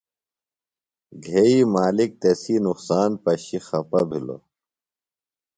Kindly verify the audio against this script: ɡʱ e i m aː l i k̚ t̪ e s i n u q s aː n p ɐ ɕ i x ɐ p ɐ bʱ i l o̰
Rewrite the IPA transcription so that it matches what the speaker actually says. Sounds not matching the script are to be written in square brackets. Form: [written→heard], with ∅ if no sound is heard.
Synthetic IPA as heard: ɡʱ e i m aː l i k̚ t̪ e s i n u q s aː n p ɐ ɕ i x ɐ p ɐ bʱ i l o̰